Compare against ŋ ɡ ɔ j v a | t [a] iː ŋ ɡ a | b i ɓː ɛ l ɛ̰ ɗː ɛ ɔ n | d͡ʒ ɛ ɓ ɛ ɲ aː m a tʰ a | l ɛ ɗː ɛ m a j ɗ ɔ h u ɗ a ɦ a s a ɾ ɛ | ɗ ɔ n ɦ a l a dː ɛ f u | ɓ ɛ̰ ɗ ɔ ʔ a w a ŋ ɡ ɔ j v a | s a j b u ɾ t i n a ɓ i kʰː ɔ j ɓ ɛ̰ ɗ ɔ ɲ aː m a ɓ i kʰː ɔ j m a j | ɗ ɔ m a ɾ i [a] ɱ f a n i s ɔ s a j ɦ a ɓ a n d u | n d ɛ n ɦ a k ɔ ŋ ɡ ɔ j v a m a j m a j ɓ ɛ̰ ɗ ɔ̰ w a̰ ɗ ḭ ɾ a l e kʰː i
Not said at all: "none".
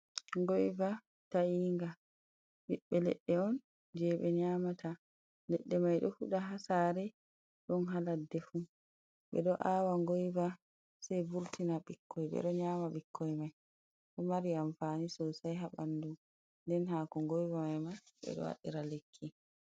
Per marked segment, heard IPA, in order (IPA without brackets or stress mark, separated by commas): a, a